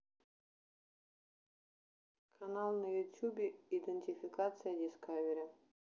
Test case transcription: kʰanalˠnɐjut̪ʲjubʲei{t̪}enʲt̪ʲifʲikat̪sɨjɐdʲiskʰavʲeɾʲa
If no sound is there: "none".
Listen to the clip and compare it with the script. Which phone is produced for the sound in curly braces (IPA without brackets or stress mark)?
d̪